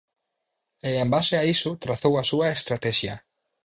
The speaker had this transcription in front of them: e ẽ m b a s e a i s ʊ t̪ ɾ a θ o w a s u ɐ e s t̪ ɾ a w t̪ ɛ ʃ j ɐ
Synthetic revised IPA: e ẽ m b a s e a i s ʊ t̪ ɾ a θ o w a s u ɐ e s t̪ ɾ a t̪ ɛ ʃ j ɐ

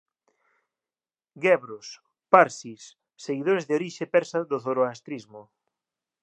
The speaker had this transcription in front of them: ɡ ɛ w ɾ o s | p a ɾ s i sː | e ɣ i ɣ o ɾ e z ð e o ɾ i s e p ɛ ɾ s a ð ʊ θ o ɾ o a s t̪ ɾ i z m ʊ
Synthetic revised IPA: ɡ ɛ β ɾ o s | p a ɾ s i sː | e ɣ i ð o ɾ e z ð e o ɾ i ʃ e p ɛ ɾ s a ð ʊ θ o ɾ o a s t̪ ɾ i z m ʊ

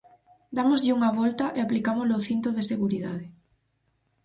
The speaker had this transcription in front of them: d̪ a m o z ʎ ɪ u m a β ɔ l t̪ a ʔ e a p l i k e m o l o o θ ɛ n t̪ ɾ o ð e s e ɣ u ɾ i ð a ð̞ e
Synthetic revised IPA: d̪ a m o z ʎ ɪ u ŋ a β ɔ l t̪ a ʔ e a p l i k a m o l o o θ i n t̪ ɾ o ð e s e ɣ u ɾ i ð a ð̞ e

